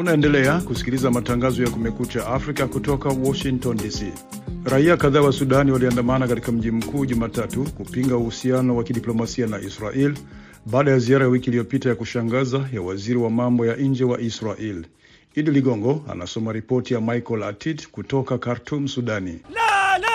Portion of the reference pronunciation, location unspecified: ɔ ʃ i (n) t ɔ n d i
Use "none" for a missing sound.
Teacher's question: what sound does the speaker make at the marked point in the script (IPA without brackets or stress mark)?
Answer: ŋ